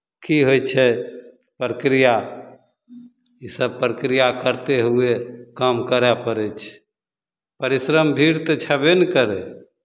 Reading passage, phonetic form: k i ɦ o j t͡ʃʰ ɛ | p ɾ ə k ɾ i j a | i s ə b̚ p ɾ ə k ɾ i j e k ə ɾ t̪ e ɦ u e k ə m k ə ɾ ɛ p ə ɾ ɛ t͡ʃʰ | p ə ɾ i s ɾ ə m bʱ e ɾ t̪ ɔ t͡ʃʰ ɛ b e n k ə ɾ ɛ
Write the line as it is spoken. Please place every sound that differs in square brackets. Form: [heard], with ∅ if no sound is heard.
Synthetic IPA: k i ɦ o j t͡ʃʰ ɛ | p ɾ ə k ɾ i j a | i s ə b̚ p ɾ ə k ɾ i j [a] k ə ɾ t̪ e ɦ u e k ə m k ə ɾ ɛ p ə ɾ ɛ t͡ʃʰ | p ə ɾ i s ɾ ə m bʱ [i] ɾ t̪ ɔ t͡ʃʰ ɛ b e n k ə ɾ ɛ